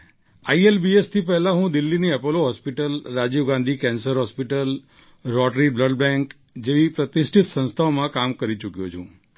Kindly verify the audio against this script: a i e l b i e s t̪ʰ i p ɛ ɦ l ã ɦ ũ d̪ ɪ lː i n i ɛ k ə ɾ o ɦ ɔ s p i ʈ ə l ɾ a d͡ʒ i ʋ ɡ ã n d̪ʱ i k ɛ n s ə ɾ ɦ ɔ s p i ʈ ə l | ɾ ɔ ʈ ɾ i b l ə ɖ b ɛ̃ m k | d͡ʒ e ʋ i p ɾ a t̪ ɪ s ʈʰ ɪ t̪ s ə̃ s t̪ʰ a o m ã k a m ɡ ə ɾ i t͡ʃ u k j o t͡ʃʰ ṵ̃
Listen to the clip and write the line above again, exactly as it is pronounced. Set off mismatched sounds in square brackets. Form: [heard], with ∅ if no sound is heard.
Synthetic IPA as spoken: a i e l b i e s t̪ʰ i p ɛ ɦ l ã ɦ ũ d̪ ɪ lː i n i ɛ [p] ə [l] o ɦ ɔ s p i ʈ ə l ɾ a d͡ʒ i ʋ ɡ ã n d̪ʱ i k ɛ n s ə ɾ ɦ ɔ s p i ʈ ə l | ɾ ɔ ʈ ɾ i b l ə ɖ b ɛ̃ [ŋ] k | d͡ʒ e ʋ i p ɾ [ə] t̪ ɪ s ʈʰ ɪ t̪ s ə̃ s t̪ʰ a o m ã k a m [k] ə ɾ i t͡ʃ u k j o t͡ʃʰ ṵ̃